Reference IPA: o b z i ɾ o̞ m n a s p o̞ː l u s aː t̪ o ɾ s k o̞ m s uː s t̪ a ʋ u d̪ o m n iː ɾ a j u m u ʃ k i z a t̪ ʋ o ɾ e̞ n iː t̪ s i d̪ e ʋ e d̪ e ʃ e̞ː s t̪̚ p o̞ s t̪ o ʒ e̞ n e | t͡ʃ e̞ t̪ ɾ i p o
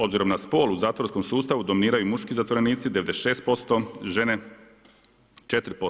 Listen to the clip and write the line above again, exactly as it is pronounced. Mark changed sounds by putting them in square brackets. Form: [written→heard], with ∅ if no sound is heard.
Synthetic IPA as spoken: o b z i ɾ o̞ m n a s p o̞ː l u [s→z] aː t̪ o ɾ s k o̞ m s uː s t̪ a ʋ u d̪ o m n iː ɾ a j u m u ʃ k i z a t̪ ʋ o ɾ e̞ n iː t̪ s i d̪ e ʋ e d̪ e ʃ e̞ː s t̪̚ p o̞ s t̪ o ʒ e̞ n e | t͡ʃ e̞ t̪ ɾ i p o

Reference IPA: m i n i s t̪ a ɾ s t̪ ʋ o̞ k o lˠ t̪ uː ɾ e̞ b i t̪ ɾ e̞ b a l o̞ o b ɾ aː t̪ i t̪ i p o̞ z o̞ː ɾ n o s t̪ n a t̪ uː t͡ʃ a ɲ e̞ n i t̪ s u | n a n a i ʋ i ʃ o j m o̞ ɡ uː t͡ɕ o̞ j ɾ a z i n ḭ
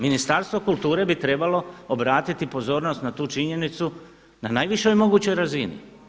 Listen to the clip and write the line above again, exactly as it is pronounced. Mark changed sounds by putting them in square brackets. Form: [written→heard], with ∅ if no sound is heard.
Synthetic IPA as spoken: m i n i s t̪ a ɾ s t̪ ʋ o̞ k [o→u] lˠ t̪ uː ɾ e̞ b i t̪ ɾ e̞ b a l o̞ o b ɾ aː t̪ i t̪ i p o̞ z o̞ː ɾ n o s t̪ n a t̪ uː t͡ʃ [a→i] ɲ e̞ n i t̪ s u | n a n a [i→j] ʋ i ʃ o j m o̞ ɡ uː t͡ɕ o̞ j ɾ a z i n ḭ

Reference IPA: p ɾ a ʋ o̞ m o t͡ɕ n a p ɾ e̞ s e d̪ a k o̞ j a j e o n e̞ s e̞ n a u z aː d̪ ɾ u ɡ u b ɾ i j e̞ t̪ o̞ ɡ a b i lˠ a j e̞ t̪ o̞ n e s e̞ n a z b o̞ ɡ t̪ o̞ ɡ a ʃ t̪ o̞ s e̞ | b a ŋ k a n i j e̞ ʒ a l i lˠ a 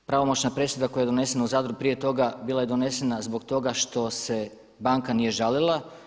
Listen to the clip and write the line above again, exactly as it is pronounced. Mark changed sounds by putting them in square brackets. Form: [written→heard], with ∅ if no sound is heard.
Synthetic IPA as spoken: p ɾ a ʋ o̞ m o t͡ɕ n a p ɾ e̞ s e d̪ a k o̞ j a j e o n e̞ s e̞ n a u z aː d̪ ɾ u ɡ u [b→p] ɾ i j e̞ t̪ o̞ ɡ a b i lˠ a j e̞ [t̪→d̪] o̞ n e s e̞ n a z b o̞ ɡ t̪ o̞ ɡ a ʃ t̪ o̞ s e̞ | b a ŋ k a n i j e̞ ʒ a l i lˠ a

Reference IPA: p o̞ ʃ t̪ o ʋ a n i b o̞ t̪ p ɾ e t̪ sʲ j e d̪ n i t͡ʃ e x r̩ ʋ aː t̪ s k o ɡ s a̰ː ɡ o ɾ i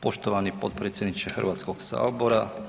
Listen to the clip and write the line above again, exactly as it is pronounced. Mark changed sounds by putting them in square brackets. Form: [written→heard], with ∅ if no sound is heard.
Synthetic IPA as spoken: p o̞ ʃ t̪ o ʋ a n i [b→p] o̞ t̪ p ɾ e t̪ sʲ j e d̪ n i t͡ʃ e x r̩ ʋ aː t̪ s k o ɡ s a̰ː [ɡ→b] o ɾ [i→a]

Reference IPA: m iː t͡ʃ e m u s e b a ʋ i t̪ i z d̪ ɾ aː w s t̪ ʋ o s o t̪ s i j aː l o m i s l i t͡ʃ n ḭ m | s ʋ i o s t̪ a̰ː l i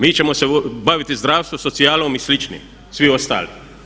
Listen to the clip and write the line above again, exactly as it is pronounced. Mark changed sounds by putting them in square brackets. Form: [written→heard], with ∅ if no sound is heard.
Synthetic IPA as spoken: m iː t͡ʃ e m [u→o] s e b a ʋ i t̪ i z d̪ ɾ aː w s t̪ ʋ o s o t̪ s i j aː l o m i s l i t͡ʃ n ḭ m | s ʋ i o s t̪ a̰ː l i

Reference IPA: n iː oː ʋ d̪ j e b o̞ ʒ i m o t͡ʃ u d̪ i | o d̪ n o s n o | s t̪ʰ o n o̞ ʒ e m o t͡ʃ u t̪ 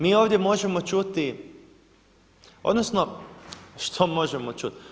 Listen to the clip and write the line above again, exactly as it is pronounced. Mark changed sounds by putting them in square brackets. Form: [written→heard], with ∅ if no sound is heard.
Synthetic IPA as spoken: [n→m] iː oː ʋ d̪ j e [b→m] o̞ ʒ [i→e] m o t͡ʃ u [d̪→t̪] i | o d̪ n o s n o | [s→ʃ] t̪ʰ o [n→m] o̞ ʒ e m o t͡ʃ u t̪

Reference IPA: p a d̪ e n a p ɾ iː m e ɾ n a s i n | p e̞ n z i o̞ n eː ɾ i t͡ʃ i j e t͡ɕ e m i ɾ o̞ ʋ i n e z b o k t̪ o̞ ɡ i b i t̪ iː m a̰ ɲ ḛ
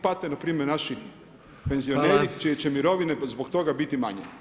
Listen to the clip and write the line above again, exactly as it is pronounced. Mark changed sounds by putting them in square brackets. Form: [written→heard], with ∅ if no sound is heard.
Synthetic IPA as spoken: p a [d̪→t̪] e n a p ɾ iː m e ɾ n a [s→ʃ] i [n→∅] | p e̞ n z i o̞ n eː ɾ i t͡ʃ i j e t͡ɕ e m i ɾ o̞ ʋ i n e z b o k t̪ o̞ ɡ [i→a] b i t̪ [iː→i] m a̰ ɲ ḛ

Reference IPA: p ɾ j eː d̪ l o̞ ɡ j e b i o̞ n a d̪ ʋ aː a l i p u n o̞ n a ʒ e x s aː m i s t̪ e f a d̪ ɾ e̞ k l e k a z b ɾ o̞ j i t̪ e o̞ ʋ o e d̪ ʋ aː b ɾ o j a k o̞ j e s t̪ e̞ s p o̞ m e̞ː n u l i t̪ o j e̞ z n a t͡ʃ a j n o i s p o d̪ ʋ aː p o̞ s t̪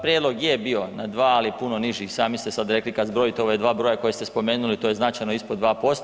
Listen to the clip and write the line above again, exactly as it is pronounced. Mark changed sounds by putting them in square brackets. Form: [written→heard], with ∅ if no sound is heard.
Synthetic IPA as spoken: p ɾ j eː d̪ l o̞ ɡ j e b i o̞ n a d̪ ʋ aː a l i p u n o̞ n [a→i] ʒ [e→i] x s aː m i s t̪ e [f→s] a d̪ ɾ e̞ k l [e→i] k a z b ɾ o̞ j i t̪ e o̞ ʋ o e d̪ ʋ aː b ɾ o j a k o̞ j e s t̪ e̞ s p o̞ m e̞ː n u l i t̪ o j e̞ z n a t͡ʃ a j n o i s p o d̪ ʋ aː p o̞ s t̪

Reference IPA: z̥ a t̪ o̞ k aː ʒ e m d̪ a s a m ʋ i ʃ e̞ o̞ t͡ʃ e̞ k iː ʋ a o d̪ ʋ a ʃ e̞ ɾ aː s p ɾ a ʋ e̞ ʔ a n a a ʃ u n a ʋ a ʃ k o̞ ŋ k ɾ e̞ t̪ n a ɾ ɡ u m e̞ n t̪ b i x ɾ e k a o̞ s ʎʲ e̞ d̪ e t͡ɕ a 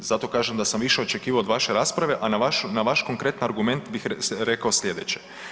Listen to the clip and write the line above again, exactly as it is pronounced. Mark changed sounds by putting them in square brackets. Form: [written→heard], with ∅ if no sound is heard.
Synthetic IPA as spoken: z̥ a t̪ o̞ k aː ʒ e m d̪ a s a m ʋ i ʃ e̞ o̞ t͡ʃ e̞ k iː ʋ a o d̪ ʋ a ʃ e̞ ɾ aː s p ɾ a ʋ e̞ ʔ a n a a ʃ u n a ʋ a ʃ k o̞ ŋ k ɾ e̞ t̪ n a ɾ ɡ u m e̞ n t̪ b i x ɾ e k a o̞ s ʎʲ e̞ d̪ e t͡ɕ [a→e]

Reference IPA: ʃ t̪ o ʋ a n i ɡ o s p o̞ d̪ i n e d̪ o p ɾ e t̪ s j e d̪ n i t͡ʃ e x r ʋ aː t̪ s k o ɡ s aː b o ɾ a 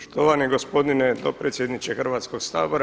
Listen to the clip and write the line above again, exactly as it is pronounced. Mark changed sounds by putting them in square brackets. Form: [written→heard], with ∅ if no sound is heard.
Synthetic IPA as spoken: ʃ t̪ o ʋ a n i ɡ o s p o̞ d̪ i n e d̪ o p ɾ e t̪ s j e d̪ n i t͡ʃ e x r ʋ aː t̪ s k o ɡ s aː b o ɾ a

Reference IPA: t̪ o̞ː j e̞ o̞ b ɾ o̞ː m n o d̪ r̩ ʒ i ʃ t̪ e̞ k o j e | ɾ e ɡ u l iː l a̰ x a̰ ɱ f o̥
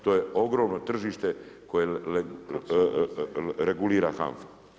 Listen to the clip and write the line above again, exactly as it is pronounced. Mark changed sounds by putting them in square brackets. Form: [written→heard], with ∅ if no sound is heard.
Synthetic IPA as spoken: t̪ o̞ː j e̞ o̞ [b→ɡ] ɾ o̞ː m n o [d̪→t̪] r̩ ʒ i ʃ t̪ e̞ k o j e | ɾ e ɡ u l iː [l→ɾ] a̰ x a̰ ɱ f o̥

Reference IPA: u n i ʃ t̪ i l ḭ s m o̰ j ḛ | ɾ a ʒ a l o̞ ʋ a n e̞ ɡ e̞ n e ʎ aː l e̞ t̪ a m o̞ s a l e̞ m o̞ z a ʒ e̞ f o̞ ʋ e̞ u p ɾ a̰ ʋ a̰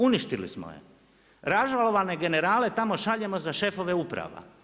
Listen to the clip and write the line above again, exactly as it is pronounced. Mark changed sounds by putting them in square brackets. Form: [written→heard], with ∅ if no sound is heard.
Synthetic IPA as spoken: u n i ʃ t̪ i l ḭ s m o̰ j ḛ | ɾ a ʒ a l o̞ ʋ a n e̞ ɡ e̞ n e [ʎ→ɾ] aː l e̞ t̪ a m o̞ [s→ʃ] a [l→ʎ] e̞ m o̞ z a [ʒ→ʃ] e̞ f o̞ ʋ e̞ u p ɾ a̰ ʋ a̰

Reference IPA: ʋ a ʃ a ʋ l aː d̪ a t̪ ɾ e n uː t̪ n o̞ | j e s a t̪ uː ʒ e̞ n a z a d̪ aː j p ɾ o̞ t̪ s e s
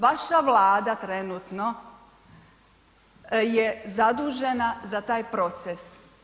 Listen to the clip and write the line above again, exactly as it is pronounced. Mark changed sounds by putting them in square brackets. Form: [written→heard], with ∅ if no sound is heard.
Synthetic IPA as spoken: ʋ a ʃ a ʋ l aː d̪ a t̪ ɾ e n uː t̪ n o̞ | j e [s→z] a [t̪→d̪] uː ʒ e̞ n a z a [d̪→t̪] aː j p ɾ o̞ t̪ s e s

